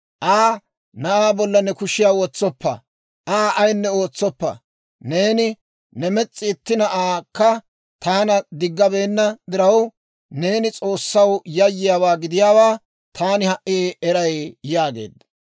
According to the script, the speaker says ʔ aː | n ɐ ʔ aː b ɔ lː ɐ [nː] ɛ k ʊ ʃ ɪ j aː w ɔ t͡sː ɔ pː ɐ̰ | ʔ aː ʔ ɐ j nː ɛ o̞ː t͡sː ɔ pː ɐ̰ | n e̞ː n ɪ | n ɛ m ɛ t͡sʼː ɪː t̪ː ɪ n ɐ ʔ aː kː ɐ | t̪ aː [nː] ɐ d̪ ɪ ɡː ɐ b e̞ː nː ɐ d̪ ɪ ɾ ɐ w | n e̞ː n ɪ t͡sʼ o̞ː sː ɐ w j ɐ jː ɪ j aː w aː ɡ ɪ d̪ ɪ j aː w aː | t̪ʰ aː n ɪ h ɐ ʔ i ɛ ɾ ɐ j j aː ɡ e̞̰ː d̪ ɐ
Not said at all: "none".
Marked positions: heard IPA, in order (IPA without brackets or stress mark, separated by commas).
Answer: n, n